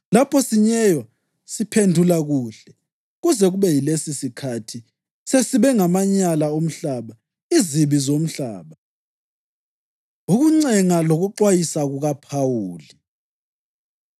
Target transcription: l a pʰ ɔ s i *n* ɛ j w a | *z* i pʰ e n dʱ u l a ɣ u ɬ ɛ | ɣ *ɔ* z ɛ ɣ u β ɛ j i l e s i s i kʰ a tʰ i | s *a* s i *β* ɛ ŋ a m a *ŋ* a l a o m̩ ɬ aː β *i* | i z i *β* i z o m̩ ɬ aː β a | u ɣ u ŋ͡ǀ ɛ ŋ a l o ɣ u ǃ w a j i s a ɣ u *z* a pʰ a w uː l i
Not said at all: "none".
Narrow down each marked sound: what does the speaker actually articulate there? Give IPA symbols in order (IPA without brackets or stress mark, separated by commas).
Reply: ɲ, s, u, e, β, ɲ, a, β, ɣ